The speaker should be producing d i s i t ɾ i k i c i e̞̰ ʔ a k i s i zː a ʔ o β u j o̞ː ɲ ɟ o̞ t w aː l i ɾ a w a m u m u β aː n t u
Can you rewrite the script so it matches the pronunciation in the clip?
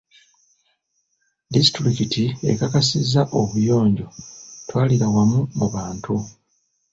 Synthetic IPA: d i s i t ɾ i k i t i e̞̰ k a k a s i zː a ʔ o β u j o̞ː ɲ ɟ o̞ t w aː l i ɾ a w a m u m u β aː n t u